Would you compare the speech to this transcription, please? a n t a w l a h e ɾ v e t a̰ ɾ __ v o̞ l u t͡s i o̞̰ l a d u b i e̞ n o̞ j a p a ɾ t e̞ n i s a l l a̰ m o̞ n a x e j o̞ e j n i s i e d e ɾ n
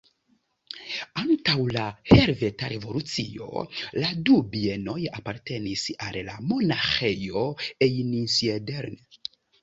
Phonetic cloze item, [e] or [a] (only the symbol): e